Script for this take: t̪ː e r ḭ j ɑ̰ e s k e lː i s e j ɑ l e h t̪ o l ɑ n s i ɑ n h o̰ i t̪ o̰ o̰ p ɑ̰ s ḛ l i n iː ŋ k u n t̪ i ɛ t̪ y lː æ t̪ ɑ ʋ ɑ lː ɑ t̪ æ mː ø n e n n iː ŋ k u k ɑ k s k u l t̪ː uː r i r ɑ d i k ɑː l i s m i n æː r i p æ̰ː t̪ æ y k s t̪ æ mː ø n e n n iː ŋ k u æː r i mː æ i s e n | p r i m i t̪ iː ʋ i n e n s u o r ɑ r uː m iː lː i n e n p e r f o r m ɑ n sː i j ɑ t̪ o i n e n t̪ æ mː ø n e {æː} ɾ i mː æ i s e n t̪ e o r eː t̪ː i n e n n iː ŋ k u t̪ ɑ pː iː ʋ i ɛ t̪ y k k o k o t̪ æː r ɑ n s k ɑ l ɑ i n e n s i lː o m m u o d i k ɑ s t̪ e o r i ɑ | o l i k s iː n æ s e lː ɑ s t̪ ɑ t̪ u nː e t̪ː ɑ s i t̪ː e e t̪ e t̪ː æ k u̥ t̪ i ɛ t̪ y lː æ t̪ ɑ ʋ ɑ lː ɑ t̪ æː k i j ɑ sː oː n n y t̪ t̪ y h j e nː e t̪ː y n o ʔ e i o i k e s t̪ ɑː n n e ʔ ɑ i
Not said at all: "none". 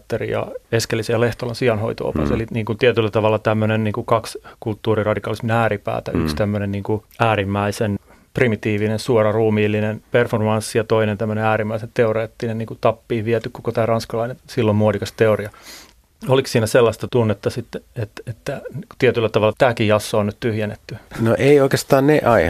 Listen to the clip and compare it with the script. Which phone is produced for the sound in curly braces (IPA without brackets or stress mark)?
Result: æː